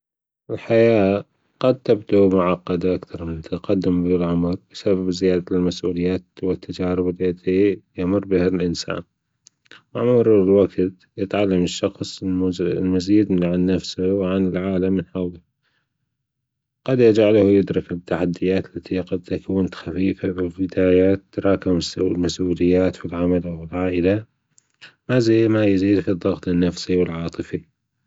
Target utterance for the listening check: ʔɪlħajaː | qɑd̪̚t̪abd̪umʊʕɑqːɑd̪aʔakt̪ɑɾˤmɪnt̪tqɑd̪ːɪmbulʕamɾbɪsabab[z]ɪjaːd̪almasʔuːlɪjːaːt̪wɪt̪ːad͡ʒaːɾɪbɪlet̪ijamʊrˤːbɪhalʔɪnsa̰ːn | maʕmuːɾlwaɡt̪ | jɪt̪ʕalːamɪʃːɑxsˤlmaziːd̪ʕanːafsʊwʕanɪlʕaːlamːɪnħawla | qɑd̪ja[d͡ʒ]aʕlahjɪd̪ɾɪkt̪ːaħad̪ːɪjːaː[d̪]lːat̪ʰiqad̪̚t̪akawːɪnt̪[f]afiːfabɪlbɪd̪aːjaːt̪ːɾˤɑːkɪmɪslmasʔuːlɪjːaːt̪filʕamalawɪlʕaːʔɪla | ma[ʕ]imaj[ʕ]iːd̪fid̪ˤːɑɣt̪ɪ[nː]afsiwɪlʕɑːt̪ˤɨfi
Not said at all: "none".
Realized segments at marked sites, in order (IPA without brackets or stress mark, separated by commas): z, d͡ʒ, t̪, x, z, z, nː